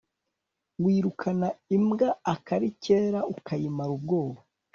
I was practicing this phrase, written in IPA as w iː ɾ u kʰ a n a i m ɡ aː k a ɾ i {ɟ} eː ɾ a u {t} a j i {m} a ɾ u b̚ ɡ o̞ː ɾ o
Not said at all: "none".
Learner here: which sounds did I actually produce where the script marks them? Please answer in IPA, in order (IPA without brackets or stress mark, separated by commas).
c, k, m